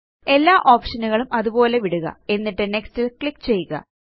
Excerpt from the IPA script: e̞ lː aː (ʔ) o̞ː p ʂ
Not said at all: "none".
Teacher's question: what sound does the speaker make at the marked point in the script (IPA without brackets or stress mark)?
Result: ʔ